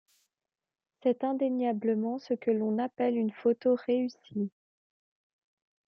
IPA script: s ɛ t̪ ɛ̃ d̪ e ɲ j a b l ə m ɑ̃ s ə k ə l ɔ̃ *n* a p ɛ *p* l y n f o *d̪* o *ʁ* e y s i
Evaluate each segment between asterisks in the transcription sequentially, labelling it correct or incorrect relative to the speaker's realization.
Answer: correct, incorrect: none, incorrect: t̪, correct

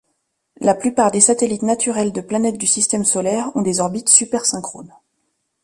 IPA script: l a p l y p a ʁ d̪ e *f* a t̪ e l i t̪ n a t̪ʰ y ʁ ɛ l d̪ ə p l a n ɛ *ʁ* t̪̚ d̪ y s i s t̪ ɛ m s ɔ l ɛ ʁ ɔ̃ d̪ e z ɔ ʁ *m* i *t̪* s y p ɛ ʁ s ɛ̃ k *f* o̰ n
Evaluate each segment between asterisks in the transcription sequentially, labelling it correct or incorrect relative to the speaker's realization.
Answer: incorrect: s, incorrect: none, incorrect: b, correct, incorrect: χ

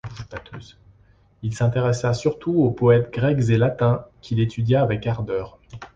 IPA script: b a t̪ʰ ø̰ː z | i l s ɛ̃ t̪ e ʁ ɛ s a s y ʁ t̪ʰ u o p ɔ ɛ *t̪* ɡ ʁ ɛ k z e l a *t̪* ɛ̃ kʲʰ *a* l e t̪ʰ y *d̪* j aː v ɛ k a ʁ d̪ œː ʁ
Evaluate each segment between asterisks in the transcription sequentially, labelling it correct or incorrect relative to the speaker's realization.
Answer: correct, correct, incorrect: i, correct

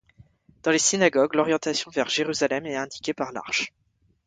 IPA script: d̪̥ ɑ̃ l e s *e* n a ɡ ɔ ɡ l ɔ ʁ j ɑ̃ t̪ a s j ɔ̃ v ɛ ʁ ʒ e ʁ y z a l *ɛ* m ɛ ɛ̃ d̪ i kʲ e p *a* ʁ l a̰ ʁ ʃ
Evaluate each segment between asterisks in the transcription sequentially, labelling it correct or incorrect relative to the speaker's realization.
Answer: incorrect: i, correct, correct

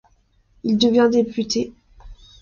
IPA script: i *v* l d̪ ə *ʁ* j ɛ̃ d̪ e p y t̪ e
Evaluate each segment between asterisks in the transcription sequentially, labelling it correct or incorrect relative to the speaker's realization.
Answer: incorrect: none, incorrect: v

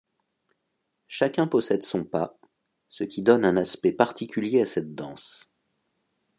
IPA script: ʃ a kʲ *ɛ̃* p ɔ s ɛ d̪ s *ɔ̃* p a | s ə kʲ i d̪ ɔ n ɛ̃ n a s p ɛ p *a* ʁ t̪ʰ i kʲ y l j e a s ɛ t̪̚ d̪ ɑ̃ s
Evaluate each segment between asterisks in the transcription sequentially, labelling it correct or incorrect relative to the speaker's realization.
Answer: correct, correct, correct

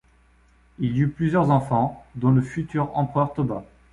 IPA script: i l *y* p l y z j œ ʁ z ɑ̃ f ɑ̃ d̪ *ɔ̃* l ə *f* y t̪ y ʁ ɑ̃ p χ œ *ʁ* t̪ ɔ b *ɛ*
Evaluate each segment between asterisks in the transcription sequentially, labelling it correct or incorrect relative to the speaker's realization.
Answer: correct, correct, correct, correct, incorrect: a

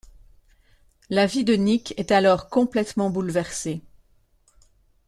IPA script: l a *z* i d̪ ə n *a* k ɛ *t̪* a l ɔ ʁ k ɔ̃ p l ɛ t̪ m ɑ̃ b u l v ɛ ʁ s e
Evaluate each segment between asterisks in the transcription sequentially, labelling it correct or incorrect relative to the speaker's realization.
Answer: incorrect: v, incorrect: i, correct

